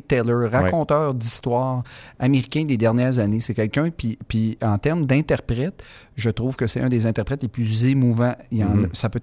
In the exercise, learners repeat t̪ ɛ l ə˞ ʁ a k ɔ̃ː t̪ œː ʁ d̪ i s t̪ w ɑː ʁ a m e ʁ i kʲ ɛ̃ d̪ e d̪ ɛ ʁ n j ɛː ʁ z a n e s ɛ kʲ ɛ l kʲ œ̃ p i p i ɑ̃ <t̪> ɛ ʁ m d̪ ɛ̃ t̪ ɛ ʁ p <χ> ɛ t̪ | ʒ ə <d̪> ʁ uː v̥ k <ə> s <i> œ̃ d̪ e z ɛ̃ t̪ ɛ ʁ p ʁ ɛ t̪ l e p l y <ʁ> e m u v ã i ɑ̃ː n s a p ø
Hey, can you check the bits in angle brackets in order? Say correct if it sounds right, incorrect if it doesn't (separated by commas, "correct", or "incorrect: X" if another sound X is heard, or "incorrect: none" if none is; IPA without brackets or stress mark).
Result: correct, incorrect: ʁ, incorrect: t̪, correct, incorrect: ɛ, incorrect: z